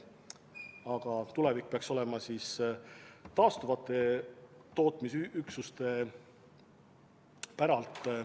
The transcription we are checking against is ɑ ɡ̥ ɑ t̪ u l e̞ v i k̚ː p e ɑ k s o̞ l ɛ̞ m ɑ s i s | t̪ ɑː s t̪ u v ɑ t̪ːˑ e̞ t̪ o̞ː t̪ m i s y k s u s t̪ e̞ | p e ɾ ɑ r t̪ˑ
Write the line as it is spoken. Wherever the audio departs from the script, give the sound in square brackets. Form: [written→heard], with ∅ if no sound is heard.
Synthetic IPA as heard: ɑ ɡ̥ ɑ t̪ u l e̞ v i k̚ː p e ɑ k s o̞ l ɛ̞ m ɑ s i s | t̪ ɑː s t̪ u v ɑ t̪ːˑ e̞ t̪ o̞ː t̪ m i s y k s u s t̪ e̞ | p [e→æ] ɾ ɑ [r→l] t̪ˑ